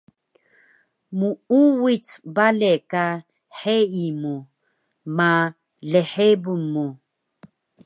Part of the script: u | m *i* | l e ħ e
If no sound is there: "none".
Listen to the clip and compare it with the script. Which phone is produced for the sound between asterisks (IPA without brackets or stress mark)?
a